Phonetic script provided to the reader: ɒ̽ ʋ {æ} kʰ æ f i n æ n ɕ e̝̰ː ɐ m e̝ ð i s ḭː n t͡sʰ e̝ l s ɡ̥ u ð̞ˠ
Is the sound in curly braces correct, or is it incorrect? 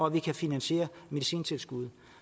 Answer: incorrect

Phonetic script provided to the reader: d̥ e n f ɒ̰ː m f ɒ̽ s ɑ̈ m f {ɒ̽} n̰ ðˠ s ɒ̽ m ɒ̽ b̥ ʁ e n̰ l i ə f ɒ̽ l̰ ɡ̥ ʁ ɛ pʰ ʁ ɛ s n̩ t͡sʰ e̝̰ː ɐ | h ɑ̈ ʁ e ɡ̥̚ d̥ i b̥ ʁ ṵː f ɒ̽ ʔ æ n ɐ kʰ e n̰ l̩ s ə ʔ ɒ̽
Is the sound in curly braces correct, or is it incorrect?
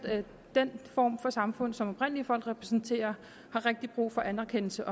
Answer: incorrect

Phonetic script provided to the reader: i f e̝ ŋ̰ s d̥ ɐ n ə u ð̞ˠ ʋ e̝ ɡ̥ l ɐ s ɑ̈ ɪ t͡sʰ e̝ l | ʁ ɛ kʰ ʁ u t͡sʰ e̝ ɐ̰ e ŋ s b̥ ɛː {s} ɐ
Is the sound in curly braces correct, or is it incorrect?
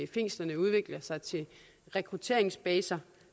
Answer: correct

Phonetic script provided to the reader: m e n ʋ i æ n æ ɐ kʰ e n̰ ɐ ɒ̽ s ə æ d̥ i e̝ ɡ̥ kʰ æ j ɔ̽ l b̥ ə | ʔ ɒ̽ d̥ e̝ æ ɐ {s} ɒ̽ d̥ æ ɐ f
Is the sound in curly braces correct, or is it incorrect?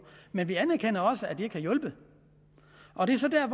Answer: correct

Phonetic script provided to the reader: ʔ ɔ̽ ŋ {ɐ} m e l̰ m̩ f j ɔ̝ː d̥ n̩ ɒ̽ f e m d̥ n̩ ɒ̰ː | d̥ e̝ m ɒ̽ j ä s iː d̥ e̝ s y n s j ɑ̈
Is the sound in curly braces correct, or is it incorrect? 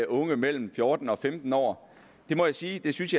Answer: incorrect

